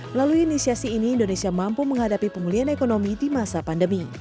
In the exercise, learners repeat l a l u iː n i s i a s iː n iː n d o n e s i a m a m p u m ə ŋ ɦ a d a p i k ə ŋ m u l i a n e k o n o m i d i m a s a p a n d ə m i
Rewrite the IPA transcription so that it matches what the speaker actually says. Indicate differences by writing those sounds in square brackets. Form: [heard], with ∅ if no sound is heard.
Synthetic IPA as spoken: l a l u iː n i s i a s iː n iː n d o n e s i a m a m p u m ə ŋ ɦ a d a p i [p] ə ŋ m u l i a n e k o n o m i d i m a s a p a n d ə m i